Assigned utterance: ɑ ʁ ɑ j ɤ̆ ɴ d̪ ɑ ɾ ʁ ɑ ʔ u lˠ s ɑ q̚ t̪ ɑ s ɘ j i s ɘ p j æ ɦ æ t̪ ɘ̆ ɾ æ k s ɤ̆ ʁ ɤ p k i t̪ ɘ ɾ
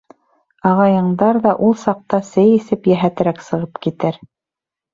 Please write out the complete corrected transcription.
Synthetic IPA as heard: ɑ ʁ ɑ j ɤ̆ ɴ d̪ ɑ ɾ ð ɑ ʔ u lˠ s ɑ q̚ t̪ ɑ s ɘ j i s ɘ p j æ ɦ æ t̪ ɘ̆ ɾ æ k s ɤ̆ ʁ ɤ p k i t̪ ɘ ɾ